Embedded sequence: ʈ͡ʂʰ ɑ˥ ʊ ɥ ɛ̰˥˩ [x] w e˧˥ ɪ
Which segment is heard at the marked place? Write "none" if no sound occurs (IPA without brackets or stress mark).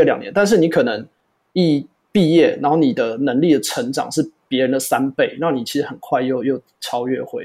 x